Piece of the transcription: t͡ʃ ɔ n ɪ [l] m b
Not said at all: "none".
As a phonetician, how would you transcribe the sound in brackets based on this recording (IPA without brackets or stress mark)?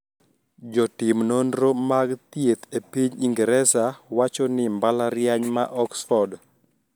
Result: none